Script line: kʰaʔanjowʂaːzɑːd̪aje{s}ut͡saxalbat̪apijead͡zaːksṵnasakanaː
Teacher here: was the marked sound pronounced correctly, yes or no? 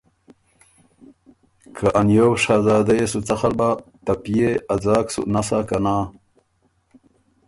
yes